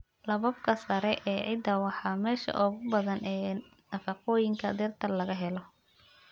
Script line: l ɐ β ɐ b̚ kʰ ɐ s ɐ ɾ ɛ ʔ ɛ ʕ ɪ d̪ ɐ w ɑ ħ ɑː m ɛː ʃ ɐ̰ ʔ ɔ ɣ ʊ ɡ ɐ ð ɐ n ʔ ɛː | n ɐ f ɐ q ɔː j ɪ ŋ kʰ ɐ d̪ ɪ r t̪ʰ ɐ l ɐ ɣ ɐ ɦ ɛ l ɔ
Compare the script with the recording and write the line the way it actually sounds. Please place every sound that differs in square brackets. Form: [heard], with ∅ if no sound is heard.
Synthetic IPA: l ɐ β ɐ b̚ kʰ ɐ s ɐ ɾ ɛ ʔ [ɛː] ʕ ɪ d̪ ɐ w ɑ ħ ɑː m ɛː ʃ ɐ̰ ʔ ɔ ɣ ʊ [b] ɐ ð ɐ n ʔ ɛː | n ɐ f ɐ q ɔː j ɪ ŋ kʰ ɐ d̪ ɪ r t̪ʰ ɐ l ɐ ɣ ɐ ɦ ɛ l ɔ